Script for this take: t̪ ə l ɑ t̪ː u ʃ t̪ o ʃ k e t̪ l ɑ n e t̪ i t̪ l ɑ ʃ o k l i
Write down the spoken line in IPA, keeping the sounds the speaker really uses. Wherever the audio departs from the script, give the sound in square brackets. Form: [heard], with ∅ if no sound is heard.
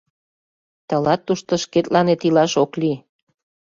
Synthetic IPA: t̪ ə l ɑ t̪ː u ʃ t̪ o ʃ k e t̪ l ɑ n e t̪ i [∅] l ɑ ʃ o k l i